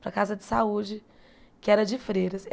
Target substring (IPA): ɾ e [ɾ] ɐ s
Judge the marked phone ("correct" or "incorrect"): correct